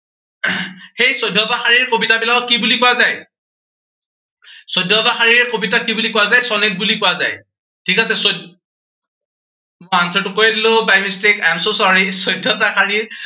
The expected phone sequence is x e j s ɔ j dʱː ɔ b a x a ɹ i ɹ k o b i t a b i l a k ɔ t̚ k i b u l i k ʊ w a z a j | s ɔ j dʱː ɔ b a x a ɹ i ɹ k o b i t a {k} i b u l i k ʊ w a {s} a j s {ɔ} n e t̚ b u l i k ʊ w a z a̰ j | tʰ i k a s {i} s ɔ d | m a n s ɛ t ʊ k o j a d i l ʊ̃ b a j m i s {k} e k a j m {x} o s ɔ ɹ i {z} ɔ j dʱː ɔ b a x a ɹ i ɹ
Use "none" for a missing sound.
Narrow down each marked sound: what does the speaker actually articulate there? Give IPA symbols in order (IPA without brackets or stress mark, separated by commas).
k, z, ɔ, ɛ, t, s, s